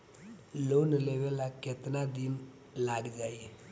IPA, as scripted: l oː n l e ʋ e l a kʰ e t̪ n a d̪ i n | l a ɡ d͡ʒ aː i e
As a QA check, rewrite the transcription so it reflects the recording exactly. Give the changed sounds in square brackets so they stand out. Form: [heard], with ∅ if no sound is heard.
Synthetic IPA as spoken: l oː n l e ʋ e l a [k] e t̪ n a d̪ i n | l a ɡ d͡ʒ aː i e

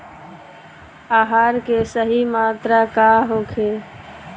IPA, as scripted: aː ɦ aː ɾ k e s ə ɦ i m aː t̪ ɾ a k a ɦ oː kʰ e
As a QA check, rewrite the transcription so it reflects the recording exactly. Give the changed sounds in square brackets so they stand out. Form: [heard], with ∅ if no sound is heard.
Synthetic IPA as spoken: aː ɦ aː ɾ k e s ə ɦ i m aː t̪ ɾ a k a ɦ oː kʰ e

